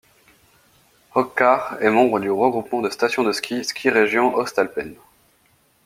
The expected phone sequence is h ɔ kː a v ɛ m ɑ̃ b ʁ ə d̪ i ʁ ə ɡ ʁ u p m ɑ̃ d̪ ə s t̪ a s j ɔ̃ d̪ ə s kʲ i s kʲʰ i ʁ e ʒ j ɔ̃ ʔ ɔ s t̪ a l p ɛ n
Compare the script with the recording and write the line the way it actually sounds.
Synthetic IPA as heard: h ɔ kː a ʁ ɛ m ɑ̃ b ʁ ə d̪ y ʁ ə ɡ ʁ u p m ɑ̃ d̪ ə s t̪ a s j ɔ̃ d̪ ə s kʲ i s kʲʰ i ʁ e ʒ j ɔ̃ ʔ ɔ s t̪ a l p ɛ n